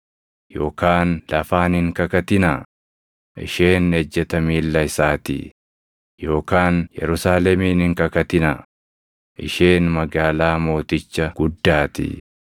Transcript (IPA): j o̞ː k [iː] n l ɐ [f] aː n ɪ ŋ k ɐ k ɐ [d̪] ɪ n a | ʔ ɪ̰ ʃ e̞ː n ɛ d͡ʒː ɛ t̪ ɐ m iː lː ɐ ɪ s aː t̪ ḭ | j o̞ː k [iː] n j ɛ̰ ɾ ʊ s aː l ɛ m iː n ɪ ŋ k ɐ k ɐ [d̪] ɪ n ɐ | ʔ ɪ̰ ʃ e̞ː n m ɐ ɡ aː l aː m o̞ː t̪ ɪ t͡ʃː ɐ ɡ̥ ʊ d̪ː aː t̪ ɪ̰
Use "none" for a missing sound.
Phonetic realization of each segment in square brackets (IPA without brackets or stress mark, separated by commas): aː, f, t̪, aː, t̪